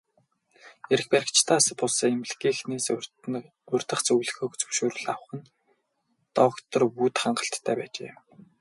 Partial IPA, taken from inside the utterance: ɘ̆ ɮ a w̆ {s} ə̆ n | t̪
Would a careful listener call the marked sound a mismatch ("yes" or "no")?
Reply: yes